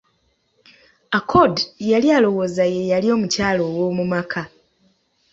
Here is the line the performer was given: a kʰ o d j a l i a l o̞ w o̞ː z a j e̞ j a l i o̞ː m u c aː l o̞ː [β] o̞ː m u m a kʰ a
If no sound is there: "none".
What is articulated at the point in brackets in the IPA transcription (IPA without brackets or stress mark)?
w